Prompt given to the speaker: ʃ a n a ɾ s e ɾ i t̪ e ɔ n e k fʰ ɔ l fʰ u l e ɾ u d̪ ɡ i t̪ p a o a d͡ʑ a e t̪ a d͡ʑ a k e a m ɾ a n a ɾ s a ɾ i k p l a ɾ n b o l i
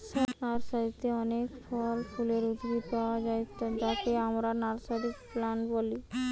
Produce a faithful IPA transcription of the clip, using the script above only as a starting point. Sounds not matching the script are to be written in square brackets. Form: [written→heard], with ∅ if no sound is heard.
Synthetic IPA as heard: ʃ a n a ɾ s [e→a] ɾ i t̪ e ɔ n e k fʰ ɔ l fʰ u l e ɾ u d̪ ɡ i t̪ p a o a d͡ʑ a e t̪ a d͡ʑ a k e a m ɾ a n a ɾ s a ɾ i k p l a [ɾ→∅] n b o l i